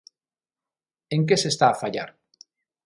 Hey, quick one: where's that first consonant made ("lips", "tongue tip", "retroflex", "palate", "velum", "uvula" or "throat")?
velum